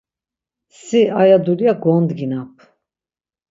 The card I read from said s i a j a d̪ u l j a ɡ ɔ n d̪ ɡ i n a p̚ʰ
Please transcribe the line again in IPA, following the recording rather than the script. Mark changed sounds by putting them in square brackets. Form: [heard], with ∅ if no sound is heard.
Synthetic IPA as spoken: s i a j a d̪ u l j a ɡ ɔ n d̪ ɡ i n a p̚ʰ